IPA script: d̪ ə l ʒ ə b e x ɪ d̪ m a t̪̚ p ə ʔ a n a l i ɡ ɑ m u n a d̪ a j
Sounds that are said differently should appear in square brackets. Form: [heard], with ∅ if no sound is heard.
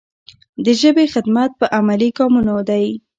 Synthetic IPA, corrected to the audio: d̪ ə [∅] ʒ ə b e x ɪ d̪ m a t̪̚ p ə ʔ a [m] a l i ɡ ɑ m u n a d̪ a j